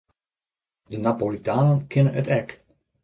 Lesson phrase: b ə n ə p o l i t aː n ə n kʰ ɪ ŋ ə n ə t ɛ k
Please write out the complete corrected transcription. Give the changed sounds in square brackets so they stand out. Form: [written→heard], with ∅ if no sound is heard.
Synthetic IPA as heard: [b→d] ə n [ə→a] p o l i t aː n ə n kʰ ɪ [ŋ→n] ə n ə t ɛ k